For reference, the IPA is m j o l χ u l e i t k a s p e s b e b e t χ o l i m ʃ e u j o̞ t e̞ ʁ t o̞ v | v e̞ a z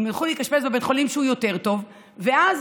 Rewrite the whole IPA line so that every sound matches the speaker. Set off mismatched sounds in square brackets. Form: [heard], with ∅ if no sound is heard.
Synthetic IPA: m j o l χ u l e i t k a [ʃ] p e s b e b e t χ o l i m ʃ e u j o̞ t e̞ ʁ t o̞ v | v e̞ a z

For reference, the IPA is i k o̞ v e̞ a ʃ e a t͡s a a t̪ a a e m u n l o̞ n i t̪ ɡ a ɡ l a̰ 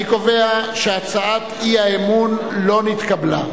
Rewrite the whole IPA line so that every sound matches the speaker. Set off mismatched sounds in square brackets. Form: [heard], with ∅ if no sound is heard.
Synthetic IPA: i k o̞ v e̞ a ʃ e a t͡s a a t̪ [i] a e m u n l o̞ n i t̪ [k] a [b] l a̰

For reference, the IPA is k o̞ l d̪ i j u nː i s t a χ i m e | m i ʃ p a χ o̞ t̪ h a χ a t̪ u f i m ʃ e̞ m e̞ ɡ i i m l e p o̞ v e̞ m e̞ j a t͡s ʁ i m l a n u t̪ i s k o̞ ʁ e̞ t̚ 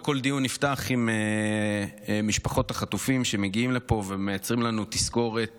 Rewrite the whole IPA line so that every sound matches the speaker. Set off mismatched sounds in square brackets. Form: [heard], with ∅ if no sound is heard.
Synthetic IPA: k o̞ l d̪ i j u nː i [f] t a χ i m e | m i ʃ p a χ o̞ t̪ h a χ a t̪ u f i m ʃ e̞ m e̞ ɡ i i m l e p o̞ v e̞ m e̞ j a t͡s ʁ i m l a n u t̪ i s k o̞ ʁ e̞ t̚

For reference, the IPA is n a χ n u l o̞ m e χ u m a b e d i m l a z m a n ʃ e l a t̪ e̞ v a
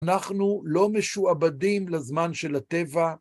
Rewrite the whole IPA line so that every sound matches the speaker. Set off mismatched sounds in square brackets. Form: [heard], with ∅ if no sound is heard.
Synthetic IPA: n a χ n u l o̞ m e [ʃ] u [∅] a b [a] d i m l a z m a n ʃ e l a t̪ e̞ v a

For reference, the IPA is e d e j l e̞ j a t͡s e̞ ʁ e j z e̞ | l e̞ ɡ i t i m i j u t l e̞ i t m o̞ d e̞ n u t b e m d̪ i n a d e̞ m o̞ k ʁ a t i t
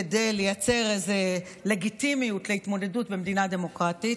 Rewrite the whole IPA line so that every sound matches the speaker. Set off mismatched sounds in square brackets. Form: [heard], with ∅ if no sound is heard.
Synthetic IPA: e d e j l e̞ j a t͡s e̞ ʁ e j z e̞ | l e̞ ɡ i t i m i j u t l e̞ i t m o̞ d e̞ [d] u t b e m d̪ i n a d e̞ m o̞ k ʁ a t i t

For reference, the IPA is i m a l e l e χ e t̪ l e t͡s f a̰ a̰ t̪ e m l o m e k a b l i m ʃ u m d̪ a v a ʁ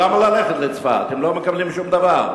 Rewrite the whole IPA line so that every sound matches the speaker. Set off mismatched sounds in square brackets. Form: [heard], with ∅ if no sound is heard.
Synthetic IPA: [a] m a l [a] l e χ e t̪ l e t͡s f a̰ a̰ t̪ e m l o m e k a b l i m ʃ u m d̪ a v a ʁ

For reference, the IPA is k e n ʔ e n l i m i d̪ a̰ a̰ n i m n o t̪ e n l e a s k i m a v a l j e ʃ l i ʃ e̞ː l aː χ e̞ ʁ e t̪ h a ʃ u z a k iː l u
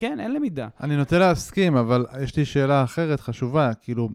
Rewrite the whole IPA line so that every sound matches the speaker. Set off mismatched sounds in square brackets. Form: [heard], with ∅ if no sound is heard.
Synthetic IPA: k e n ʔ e n l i m i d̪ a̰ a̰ n i [∅] n o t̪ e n l e a s k i m a v a l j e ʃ l i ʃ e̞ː l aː χ e̞ ʁ e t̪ [χ] a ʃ u [v] a k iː l u

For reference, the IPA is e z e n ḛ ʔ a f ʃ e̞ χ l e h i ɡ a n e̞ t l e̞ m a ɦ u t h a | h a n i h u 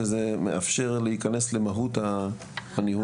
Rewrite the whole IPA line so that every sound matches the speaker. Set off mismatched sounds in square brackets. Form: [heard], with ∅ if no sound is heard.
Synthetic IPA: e z e [m] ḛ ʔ a f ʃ e̞ [ʁ] l e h i [k] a n e̞ [s] l e̞ m a ɦ u t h a | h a n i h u

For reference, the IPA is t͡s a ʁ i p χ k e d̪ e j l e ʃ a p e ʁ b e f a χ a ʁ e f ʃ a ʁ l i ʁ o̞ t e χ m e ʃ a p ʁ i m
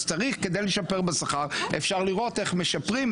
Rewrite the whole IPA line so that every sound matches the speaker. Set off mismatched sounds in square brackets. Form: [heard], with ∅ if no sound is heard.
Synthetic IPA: t͡s a ʁ i [∅] χ k e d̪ e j l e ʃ a p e ʁ b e [s] a χ a ʁ e f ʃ a ʁ l i ʁ o̞ t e χ m e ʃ a p ʁ i m

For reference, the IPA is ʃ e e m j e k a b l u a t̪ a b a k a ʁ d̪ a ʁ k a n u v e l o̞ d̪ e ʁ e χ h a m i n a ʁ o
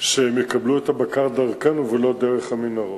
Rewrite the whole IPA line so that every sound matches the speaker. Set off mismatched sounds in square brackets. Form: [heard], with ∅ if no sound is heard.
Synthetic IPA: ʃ e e m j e k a b l u [e] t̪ a b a k a ʁ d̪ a ʁ k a n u v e l o̞ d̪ e ʁ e χ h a m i n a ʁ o

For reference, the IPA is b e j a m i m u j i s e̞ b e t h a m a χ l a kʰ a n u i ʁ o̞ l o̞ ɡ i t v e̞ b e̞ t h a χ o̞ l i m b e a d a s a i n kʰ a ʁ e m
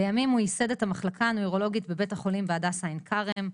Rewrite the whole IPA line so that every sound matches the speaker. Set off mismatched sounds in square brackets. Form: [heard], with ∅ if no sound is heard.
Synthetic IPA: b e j a m i m u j i s e̞ [d] e t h a m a χ l a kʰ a n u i ʁ o̞ l o̞ ɡ i t [b] e̞ b e̞ t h a χ o̞ l i m b e a d a s a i n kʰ a ʁ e m

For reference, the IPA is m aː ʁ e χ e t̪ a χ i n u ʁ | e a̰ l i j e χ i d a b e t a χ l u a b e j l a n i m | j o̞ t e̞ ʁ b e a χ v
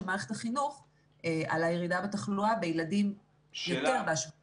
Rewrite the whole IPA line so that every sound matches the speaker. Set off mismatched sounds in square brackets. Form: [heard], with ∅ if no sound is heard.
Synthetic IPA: m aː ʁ e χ e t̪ a χ i n u [χ] | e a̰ l [a] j e [ʁ] i d a b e t a χ l u a b e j l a [d] i m | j o̞ t e̞ ʁ b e a [ʃ] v

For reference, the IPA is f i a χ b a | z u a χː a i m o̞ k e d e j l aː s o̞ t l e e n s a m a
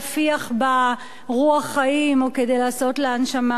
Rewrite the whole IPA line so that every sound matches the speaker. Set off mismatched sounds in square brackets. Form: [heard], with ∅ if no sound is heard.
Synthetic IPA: f i a χ b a | [ʁ] u a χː a i m o̞ k e d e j l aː s o̞ t l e [a] n [ʃ] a m a

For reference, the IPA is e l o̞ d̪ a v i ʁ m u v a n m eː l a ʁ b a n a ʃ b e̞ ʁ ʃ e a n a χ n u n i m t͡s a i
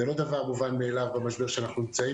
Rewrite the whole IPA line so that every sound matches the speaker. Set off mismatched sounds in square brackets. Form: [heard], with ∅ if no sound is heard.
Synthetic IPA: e l o̞ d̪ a v [a] ʁ m u v a n m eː l a [v] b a [m] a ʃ b e̞ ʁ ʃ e a n a χ n u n i m t͡s a i

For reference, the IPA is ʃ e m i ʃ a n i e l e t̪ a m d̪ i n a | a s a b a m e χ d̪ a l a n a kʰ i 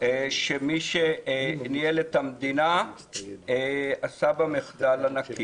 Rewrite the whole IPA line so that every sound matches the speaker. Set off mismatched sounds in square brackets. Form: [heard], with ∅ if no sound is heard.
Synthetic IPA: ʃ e m i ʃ [e] n i e l e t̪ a m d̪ i n a | a s a b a m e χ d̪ a l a n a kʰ i

